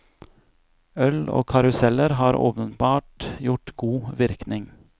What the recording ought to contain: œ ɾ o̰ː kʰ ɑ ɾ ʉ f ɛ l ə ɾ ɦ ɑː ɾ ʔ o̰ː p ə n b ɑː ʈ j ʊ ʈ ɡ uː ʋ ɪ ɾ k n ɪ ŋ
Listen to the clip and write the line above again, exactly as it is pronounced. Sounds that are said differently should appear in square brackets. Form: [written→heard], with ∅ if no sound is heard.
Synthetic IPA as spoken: œ [ɾ→l] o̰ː kʰ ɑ ɾ ʉ [f→s] ɛ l ə ɾ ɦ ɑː ɾ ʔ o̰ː p ə n b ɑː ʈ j ʊ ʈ ɡ uː ʋ ɪ ɾ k n ɪ ŋ